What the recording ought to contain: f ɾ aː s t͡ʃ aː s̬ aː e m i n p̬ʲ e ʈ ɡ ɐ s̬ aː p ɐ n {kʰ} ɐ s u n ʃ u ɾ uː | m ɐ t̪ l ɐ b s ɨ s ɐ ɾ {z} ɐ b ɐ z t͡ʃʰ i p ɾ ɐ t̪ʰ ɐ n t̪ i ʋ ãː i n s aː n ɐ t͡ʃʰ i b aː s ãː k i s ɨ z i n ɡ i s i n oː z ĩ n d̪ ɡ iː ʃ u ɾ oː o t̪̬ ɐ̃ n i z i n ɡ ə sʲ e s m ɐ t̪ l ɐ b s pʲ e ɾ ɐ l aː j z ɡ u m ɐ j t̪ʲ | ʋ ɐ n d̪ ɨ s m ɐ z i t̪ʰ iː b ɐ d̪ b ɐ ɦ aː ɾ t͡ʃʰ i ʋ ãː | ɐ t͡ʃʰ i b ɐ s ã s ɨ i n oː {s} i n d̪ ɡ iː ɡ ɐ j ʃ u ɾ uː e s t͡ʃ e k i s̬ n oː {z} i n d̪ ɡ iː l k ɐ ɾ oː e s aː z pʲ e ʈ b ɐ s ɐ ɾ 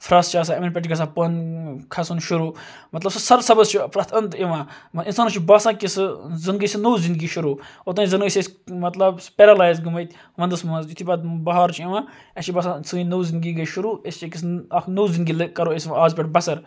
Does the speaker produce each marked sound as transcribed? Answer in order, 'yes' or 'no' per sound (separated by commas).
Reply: yes, no, no, yes